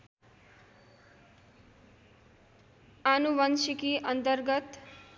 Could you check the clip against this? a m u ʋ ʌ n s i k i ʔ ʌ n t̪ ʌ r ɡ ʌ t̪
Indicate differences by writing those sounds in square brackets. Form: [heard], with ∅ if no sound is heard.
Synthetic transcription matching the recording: a [n] u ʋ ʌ n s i k i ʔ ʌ n t̪ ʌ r ɡ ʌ t̪